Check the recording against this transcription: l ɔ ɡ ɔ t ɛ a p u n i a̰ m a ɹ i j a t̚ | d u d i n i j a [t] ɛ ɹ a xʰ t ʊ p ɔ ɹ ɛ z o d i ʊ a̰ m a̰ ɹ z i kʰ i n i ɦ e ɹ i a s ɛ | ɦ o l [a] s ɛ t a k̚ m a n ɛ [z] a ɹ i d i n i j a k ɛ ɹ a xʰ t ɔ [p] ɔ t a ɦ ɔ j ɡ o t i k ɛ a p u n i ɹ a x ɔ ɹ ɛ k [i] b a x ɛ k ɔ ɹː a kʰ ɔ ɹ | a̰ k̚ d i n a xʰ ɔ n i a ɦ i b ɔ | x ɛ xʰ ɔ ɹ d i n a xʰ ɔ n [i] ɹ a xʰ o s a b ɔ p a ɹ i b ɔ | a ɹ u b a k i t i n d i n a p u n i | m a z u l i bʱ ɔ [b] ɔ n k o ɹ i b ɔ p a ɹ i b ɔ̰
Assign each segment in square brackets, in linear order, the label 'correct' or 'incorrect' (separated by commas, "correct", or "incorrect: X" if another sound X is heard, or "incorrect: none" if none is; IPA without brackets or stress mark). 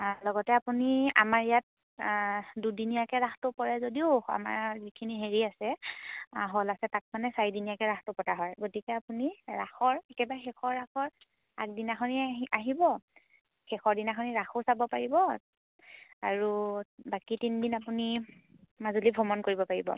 incorrect: k, correct, incorrect: s, correct, incorrect: ɛ, correct, incorrect: m